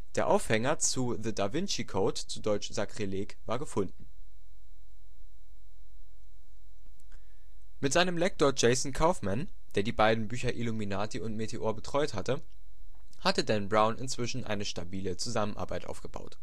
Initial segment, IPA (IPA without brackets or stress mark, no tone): d̥